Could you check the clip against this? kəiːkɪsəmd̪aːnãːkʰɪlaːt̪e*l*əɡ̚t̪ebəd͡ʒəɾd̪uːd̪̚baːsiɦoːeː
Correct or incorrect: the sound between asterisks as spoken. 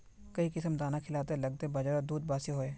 correct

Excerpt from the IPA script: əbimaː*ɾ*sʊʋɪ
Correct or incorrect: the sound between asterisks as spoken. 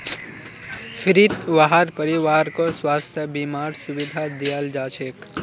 correct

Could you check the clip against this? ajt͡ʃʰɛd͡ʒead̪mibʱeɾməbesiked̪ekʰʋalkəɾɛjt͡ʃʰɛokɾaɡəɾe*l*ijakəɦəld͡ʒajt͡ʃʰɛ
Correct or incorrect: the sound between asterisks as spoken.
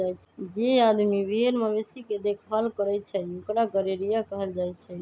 incorrect: ɾ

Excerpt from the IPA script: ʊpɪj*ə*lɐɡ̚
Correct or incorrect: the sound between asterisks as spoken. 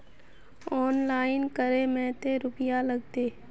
incorrect: a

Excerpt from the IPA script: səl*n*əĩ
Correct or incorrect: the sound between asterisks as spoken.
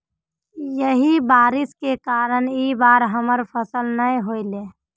correct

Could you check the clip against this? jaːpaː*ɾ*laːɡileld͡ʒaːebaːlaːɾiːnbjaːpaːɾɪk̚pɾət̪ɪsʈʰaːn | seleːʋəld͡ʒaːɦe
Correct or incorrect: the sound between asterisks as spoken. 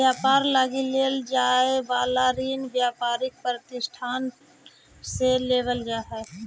correct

